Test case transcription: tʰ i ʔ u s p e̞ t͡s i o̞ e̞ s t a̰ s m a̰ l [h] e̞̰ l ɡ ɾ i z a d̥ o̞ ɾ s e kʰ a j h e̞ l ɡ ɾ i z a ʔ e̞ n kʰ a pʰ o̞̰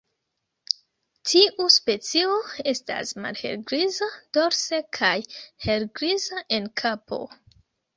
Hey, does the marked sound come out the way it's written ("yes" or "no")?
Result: yes